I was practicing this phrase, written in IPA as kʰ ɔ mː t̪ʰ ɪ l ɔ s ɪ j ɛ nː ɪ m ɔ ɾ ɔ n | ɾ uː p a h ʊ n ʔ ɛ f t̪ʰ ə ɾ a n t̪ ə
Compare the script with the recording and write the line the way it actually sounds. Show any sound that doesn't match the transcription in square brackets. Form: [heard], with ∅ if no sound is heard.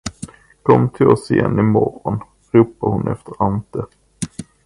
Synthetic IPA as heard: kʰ ɔ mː t̪ʰ ɪ l ɔ s ɪ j ɛ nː ɪ m ɔ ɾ ɔ n | ɾ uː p a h ʊ n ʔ ɛ f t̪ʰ ə ɾ a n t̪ ə